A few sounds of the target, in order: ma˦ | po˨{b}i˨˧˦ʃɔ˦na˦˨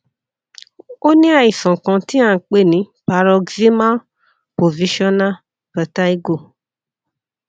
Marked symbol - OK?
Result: no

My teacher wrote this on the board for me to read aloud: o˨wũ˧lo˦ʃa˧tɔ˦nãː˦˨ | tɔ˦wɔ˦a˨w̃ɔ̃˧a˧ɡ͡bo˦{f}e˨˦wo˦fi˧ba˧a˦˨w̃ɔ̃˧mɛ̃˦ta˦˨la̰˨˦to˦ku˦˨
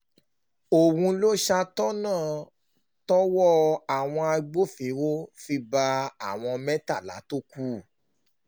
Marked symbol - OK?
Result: yes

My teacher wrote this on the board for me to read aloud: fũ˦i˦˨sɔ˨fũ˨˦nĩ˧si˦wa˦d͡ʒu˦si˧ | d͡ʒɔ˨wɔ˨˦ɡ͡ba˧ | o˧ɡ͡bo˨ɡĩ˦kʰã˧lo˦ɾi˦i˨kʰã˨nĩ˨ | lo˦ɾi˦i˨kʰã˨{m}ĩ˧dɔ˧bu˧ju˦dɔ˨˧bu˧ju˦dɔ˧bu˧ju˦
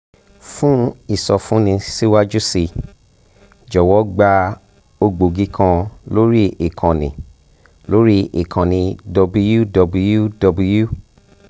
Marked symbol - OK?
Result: no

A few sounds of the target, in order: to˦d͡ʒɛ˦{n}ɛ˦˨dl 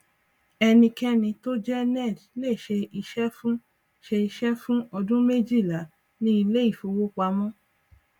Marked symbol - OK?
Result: yes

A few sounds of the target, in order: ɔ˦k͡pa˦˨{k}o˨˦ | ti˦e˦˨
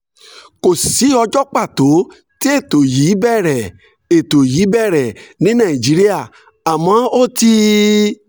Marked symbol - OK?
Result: no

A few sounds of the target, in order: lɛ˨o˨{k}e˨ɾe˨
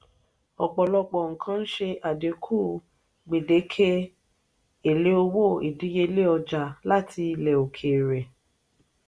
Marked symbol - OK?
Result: no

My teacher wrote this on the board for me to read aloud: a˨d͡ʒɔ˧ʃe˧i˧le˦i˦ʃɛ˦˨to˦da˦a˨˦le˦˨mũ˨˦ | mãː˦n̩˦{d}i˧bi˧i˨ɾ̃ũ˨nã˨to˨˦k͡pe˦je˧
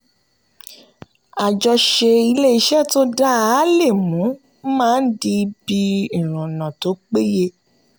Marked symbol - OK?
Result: yes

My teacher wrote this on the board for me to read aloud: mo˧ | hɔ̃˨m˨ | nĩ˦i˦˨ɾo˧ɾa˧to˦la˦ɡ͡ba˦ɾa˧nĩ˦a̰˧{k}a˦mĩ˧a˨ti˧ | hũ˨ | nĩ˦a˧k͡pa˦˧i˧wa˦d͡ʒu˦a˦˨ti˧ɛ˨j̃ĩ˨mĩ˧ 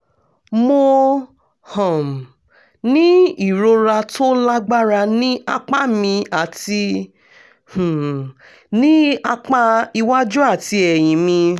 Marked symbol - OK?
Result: no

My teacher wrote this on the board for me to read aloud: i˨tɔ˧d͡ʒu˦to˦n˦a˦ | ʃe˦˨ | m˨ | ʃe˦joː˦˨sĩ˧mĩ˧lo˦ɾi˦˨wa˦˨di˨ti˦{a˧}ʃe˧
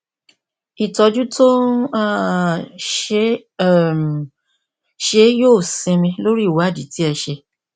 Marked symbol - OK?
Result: no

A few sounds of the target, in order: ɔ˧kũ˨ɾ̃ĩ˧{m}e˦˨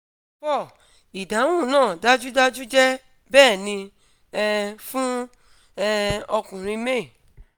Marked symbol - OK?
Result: yes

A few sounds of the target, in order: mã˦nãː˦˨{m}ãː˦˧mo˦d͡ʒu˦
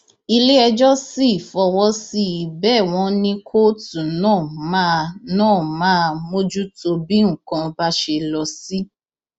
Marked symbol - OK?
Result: yes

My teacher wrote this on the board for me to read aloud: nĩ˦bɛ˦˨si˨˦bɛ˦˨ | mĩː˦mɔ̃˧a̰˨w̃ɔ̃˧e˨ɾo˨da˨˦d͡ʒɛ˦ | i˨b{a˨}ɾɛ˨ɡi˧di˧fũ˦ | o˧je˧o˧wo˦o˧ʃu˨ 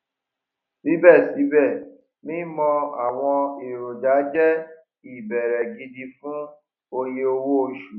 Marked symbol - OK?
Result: no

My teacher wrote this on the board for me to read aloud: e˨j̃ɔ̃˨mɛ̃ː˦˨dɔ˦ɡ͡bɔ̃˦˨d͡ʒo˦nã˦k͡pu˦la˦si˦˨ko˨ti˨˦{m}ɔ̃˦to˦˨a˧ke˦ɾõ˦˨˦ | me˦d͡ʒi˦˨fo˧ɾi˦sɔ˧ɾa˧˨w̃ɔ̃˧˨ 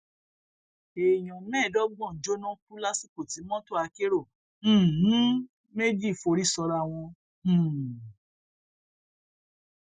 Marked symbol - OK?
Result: yes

